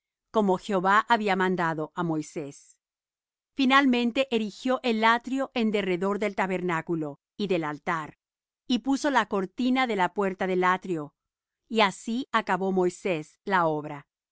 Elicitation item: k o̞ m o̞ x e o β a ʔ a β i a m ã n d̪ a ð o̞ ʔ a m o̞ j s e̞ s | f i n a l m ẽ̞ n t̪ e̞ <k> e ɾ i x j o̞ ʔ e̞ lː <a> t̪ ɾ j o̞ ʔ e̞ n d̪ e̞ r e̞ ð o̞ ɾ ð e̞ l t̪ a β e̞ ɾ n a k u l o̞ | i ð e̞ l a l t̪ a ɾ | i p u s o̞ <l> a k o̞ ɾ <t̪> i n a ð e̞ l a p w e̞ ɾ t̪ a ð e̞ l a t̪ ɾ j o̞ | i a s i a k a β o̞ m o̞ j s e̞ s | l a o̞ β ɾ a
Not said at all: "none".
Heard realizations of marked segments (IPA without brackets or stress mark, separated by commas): ʔ, a, l, t̪